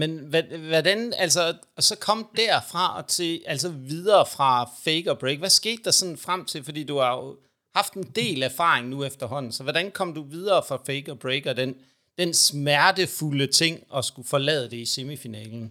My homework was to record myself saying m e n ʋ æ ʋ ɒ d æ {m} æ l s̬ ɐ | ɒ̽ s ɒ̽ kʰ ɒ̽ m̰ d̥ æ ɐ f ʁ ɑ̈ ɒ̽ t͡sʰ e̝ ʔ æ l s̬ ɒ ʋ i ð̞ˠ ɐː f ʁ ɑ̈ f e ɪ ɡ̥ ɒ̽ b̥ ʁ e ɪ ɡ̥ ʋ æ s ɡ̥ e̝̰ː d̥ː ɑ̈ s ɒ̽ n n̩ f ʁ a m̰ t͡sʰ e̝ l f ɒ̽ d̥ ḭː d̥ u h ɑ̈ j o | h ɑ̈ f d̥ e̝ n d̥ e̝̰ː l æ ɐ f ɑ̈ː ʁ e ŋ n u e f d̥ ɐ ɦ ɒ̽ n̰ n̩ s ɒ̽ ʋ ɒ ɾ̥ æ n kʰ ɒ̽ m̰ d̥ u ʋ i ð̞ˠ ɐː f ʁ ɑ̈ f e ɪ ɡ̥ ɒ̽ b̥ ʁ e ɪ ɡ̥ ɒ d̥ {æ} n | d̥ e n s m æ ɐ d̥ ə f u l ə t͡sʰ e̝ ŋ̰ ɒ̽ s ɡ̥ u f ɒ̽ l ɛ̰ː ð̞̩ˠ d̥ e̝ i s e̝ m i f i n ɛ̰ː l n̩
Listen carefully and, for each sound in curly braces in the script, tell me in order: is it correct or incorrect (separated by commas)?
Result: incorrect, incorrect